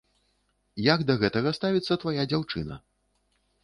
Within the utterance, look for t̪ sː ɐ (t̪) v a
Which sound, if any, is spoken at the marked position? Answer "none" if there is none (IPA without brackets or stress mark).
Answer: t̪